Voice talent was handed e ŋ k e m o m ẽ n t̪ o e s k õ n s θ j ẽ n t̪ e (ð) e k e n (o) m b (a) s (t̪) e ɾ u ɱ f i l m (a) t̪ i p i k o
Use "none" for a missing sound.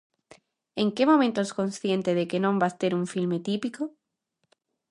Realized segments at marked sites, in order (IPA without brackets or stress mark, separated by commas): ð, õ, a, t̪, e